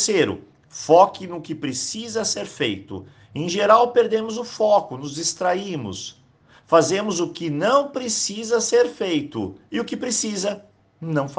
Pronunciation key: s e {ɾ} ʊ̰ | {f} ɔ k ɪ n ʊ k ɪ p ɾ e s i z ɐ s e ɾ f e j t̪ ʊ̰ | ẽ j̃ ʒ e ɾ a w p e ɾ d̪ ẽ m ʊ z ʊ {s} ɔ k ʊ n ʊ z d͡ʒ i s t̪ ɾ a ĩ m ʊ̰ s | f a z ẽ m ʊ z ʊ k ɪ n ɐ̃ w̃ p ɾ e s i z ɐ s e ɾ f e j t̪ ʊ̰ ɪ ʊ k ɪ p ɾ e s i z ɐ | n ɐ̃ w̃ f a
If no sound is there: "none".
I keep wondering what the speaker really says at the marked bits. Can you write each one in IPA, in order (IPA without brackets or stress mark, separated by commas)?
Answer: ɾ, f, f